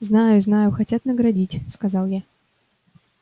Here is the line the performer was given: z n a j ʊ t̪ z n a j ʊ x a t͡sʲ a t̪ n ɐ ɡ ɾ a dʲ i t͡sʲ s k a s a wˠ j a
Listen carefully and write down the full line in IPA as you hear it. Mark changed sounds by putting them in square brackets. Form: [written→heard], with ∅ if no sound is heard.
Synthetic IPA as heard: z n a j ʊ [t̪→∅] z n a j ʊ x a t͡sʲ a t̪ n ɐ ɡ ɾ a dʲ i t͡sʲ s k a [s→z] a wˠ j a